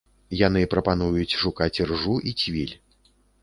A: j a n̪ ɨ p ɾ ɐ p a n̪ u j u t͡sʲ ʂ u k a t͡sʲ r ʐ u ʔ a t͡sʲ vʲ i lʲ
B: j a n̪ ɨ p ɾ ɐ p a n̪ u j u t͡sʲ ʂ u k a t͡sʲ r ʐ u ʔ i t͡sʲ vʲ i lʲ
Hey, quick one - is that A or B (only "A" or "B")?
B